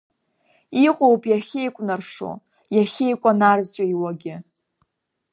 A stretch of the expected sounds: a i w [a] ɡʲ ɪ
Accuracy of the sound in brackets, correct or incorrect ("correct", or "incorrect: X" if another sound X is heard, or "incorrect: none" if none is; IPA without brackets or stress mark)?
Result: correct